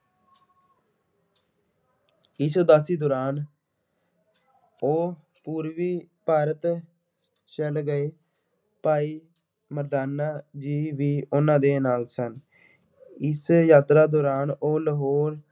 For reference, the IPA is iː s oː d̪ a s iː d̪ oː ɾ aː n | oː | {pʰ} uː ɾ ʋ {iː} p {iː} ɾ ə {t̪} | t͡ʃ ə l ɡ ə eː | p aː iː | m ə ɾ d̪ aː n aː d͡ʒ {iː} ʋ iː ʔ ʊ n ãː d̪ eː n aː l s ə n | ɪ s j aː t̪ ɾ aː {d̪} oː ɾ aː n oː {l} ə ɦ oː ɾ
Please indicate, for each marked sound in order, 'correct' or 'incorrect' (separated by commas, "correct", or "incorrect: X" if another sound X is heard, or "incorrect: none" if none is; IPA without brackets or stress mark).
incorrect: p, correct, incorrect: aː, correct, correct, correct, correct